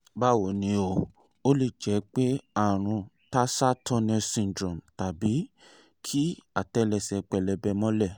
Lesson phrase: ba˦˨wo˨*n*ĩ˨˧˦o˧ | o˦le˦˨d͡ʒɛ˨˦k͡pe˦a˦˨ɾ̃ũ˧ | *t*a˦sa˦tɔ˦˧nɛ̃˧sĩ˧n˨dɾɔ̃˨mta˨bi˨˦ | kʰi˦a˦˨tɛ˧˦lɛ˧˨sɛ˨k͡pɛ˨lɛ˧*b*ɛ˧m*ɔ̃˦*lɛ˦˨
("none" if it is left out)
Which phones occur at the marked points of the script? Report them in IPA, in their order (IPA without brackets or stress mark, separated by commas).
n, t, b, ɔ̃˦